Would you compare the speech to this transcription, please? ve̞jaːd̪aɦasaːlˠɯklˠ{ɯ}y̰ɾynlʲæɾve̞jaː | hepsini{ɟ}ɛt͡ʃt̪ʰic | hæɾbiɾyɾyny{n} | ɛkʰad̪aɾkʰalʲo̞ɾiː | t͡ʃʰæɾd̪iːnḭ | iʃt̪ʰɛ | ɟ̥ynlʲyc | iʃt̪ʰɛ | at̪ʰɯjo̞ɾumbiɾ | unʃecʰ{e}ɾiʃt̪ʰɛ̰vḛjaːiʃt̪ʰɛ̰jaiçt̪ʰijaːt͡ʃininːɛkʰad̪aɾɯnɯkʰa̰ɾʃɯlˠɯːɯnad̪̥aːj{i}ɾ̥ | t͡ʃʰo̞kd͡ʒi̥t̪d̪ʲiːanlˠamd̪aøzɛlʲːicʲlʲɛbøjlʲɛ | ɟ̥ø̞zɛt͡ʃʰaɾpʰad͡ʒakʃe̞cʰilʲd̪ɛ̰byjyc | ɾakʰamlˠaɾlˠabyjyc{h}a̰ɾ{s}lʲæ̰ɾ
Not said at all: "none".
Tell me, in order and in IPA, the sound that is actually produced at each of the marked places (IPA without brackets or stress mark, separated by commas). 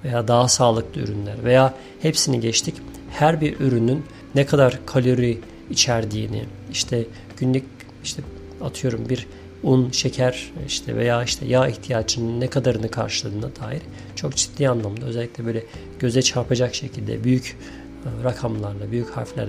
ɯ, ɟ, nː, æ, i, h, f